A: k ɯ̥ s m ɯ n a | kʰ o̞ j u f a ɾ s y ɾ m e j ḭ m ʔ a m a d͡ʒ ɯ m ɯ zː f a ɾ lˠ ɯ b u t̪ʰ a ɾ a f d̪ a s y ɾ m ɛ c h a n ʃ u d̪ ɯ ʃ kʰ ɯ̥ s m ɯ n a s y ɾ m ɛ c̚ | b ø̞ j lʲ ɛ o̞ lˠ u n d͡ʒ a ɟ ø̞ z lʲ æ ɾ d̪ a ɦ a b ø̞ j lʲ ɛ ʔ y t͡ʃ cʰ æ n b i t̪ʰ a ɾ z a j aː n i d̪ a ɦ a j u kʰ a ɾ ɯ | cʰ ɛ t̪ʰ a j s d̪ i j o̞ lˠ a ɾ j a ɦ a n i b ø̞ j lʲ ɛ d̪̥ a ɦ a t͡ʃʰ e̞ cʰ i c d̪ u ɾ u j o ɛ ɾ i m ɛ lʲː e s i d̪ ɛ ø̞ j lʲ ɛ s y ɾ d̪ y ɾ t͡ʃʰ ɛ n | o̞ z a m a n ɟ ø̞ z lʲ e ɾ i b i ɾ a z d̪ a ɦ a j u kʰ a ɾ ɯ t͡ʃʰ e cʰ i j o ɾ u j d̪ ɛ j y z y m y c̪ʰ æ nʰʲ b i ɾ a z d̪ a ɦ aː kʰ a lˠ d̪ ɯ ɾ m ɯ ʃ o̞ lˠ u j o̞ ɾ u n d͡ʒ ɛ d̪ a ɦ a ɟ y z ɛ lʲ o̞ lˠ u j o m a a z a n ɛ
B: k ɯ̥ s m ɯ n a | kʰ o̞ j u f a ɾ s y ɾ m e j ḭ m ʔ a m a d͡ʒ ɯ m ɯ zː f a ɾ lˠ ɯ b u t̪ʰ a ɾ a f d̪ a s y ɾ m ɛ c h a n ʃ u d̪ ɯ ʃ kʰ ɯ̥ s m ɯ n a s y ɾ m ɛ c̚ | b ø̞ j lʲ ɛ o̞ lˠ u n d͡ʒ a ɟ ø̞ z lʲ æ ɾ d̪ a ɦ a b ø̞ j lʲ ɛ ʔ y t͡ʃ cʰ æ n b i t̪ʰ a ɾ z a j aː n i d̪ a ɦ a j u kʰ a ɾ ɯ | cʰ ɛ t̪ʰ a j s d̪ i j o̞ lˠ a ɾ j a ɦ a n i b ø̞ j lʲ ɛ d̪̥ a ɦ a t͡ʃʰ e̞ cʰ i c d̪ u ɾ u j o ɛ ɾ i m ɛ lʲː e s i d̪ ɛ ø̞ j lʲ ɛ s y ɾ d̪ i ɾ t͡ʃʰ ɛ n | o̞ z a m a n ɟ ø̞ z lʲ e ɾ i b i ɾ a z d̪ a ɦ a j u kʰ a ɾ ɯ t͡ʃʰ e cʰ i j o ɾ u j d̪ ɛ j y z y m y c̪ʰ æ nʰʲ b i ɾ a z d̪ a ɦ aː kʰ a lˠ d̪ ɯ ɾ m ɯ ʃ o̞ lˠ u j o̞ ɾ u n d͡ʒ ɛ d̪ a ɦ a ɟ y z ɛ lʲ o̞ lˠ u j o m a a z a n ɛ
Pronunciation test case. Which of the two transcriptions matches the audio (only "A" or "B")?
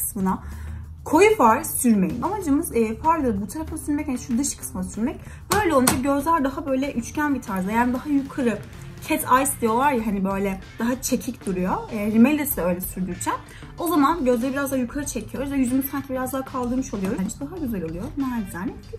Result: A